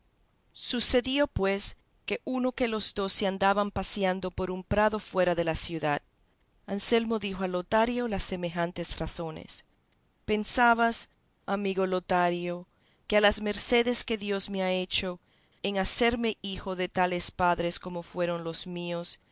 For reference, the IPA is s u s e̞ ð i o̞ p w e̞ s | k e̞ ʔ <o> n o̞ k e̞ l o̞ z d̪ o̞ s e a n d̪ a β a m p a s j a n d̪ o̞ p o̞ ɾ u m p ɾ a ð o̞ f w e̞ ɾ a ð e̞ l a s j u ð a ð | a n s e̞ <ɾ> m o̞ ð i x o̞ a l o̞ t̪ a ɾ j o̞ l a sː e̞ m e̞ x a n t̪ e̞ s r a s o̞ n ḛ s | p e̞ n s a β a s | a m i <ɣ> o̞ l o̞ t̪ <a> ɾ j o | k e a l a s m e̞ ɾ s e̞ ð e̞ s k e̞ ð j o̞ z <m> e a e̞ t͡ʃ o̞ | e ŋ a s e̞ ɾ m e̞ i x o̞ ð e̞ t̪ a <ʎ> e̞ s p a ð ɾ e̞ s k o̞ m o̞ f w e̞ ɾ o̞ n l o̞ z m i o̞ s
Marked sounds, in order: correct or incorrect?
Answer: incorrect: u, incorrect: l, correct, correct, correct, incorrect: l

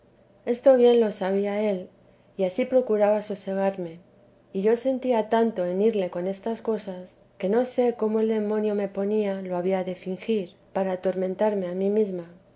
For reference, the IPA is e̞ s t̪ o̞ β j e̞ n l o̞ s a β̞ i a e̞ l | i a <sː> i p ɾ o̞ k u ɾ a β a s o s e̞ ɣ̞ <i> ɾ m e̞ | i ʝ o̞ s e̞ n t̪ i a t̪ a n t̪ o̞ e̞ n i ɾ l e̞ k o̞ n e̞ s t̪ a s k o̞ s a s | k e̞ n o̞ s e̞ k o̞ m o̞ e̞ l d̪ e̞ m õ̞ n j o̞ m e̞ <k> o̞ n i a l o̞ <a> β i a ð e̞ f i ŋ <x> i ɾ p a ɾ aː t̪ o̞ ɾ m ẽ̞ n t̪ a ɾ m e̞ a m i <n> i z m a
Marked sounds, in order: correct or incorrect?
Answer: incorrect: s, incorrect: a, incorrect: p, correct, correct, incorrect: m

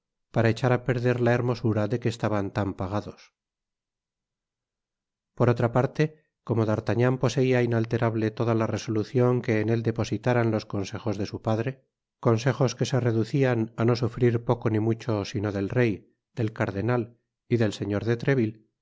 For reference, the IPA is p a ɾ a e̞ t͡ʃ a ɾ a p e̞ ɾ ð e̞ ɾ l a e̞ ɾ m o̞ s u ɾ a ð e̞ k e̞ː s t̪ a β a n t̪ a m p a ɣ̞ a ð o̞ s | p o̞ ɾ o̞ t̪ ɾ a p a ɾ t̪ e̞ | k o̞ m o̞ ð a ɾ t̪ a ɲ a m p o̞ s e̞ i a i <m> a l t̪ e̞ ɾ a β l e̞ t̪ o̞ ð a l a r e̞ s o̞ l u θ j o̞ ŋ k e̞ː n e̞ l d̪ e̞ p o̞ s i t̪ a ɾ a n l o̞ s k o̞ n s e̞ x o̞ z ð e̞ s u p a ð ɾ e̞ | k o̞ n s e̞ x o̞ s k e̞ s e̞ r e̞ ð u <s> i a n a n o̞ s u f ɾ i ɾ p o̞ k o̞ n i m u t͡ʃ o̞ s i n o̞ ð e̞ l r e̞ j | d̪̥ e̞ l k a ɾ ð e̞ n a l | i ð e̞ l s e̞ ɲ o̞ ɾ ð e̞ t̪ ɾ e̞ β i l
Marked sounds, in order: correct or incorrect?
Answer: incorrect: n, incorrect: θ

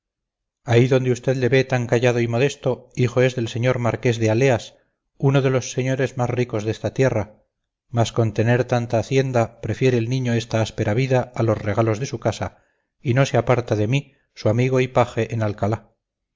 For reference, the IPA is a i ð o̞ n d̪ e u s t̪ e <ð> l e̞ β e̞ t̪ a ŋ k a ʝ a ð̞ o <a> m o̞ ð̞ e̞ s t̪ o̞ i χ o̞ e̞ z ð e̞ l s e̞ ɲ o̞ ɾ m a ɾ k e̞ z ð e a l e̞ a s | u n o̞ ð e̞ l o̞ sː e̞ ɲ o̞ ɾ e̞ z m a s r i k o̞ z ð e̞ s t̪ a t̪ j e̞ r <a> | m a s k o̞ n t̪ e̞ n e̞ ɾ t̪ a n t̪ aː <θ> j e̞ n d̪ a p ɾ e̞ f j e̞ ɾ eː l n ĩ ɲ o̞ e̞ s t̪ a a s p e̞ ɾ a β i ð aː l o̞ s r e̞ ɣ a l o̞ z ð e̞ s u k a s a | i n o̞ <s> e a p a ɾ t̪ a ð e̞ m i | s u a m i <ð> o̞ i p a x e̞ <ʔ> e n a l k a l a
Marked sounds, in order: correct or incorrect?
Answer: correct, incorrect: i, correct, correct, correct, incorrect: ɣ, correct

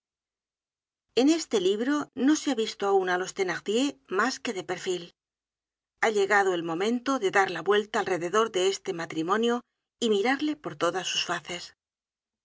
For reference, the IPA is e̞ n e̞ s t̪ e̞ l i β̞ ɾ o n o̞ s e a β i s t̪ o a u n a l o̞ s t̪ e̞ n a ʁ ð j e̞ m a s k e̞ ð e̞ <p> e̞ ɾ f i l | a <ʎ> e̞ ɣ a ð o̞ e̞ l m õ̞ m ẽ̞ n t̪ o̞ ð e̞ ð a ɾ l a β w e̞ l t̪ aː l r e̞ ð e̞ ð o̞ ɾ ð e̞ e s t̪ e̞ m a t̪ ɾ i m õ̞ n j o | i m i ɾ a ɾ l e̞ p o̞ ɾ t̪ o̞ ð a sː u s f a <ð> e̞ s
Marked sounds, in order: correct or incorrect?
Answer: correct, correct, incorrect: θ

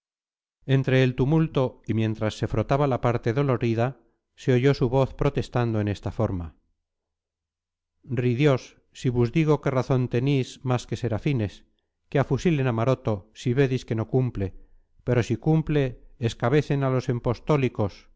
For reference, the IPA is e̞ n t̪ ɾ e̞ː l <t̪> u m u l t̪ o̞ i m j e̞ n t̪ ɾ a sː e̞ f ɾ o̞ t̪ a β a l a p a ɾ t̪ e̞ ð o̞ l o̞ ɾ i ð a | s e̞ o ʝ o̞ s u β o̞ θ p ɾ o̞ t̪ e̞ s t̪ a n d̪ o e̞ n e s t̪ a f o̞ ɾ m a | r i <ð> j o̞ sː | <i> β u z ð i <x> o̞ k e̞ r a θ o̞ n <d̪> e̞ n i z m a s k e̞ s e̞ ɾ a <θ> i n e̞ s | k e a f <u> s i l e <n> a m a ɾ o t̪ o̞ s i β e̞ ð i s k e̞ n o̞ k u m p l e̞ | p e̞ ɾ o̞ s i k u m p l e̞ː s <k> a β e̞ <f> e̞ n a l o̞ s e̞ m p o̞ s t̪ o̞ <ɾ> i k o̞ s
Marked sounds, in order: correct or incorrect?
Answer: correct, correct, correct, incorrect: ɣ, incorrect: t̪, incorrect: f, correct, correct, correct, incorrect: θ, incorrect: l

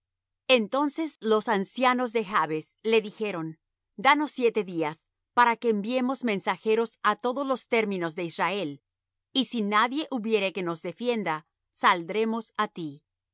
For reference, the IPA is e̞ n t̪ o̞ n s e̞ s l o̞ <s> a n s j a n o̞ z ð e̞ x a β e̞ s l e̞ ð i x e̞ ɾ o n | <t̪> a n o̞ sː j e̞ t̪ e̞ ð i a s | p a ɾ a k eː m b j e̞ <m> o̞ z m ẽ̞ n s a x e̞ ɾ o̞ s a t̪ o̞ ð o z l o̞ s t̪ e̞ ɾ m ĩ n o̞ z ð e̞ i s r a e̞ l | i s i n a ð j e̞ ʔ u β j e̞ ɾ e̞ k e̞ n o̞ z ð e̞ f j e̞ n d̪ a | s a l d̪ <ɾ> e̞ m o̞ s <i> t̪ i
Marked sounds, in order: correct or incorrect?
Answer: correct, incorrect: d̪, correct, correct, incorrect: a

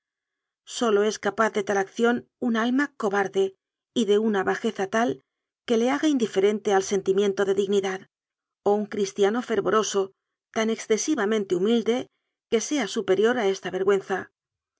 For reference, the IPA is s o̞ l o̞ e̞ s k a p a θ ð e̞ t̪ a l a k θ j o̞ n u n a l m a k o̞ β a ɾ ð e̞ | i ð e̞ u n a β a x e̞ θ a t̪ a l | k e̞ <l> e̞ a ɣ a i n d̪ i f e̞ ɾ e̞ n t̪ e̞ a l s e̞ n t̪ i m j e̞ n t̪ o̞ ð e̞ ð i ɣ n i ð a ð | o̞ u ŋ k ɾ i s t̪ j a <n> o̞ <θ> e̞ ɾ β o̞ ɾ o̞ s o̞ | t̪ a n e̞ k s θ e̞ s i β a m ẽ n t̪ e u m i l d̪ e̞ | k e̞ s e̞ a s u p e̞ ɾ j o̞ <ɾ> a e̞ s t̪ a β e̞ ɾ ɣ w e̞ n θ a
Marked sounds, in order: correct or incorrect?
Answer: correct, correct, incorrect: f, correct

